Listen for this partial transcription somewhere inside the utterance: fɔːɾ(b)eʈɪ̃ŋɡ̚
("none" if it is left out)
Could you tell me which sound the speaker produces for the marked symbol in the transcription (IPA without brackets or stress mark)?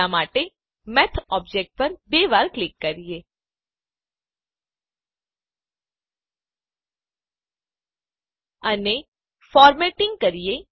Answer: m